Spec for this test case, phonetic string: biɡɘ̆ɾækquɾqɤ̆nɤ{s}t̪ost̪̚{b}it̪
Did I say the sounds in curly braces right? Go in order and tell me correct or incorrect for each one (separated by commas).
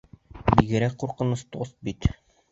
correct, correct